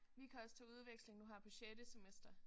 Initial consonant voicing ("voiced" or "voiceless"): voiced